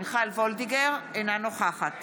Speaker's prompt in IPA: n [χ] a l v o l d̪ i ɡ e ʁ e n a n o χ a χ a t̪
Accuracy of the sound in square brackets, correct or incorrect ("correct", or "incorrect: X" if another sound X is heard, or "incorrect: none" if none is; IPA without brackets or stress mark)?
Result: correct